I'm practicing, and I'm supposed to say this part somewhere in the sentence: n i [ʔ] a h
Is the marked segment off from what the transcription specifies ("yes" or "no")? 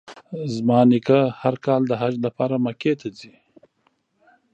yes